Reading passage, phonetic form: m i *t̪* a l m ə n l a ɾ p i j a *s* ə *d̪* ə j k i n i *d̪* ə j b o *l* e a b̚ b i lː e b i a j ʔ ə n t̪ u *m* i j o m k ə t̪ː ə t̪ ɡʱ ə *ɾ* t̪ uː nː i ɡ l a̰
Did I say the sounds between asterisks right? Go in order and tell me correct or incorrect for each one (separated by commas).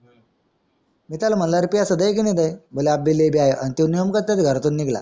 correct, correct, correct, correct, correct, incorrect, correct